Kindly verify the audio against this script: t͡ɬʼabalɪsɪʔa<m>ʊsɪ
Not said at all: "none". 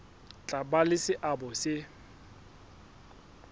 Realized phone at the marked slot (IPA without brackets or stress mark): b